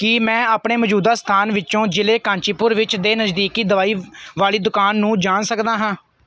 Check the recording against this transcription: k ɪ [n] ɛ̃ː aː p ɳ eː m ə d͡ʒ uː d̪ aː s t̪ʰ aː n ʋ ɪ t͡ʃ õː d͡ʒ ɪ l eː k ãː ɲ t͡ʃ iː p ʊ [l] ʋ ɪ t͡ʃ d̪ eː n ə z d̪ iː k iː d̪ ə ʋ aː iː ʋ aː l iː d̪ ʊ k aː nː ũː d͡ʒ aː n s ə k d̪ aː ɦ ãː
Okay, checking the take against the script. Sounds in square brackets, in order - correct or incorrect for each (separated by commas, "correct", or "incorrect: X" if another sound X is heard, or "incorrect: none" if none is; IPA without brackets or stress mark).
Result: incorrect: m, incorrect: ɾ